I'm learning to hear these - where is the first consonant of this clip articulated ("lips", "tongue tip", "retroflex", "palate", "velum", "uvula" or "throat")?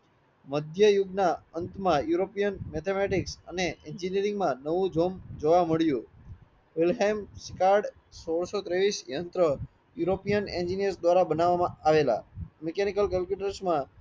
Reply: lips